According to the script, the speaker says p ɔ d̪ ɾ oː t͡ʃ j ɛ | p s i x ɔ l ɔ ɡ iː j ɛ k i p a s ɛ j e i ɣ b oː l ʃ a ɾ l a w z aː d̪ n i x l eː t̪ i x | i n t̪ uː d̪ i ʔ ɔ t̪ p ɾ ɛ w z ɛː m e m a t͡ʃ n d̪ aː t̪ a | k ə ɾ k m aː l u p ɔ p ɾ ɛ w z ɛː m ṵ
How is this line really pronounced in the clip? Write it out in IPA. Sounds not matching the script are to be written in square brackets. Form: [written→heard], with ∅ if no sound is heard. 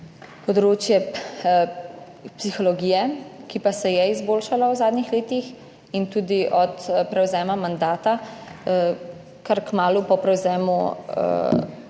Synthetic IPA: p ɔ d̪ ɾ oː t͡ʃ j ɛ | p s i x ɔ l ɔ ɡ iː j ɛ k i p a s ɛ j [e→ɛ] i [ɣ→z] b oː l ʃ a [ɾ→∅] l a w z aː d̪ n i x l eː t̪ i x | i n t̪ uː d̪ i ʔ ɔ t̪ p ɾ ɛ w z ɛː m [e→a] m a [t͡ʃ→∅] n d̪ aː t̪ a | k [ə→a] ɾ k m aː l u p ɔ p ɾ ɛ w z ɛː m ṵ